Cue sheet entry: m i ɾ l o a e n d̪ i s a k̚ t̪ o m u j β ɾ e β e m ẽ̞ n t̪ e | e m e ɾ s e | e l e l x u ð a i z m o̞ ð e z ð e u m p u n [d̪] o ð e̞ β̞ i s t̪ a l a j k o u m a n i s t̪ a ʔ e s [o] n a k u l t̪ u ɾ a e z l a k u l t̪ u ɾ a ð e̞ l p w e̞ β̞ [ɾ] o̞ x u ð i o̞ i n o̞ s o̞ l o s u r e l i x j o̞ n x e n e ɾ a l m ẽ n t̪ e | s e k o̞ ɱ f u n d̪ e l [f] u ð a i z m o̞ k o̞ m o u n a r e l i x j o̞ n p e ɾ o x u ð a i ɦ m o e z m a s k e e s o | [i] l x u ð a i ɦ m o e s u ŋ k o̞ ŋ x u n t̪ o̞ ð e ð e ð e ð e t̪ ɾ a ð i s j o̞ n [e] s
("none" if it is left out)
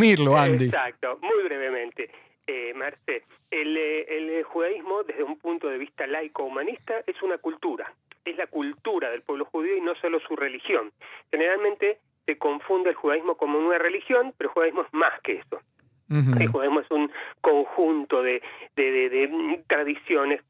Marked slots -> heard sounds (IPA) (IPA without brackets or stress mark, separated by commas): t̪, u, l, x, e, e